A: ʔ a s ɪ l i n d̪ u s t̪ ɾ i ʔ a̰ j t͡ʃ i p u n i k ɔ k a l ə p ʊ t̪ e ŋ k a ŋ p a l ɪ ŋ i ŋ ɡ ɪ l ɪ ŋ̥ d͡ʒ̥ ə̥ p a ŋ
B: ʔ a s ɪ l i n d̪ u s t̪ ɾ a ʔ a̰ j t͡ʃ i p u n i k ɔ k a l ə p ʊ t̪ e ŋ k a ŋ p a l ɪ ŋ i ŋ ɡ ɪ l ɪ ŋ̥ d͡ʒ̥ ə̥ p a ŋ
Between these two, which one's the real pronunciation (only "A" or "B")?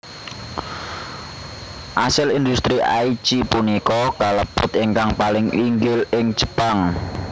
A